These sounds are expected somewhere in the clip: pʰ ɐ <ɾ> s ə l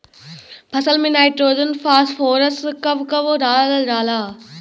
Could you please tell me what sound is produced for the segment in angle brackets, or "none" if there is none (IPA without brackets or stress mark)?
none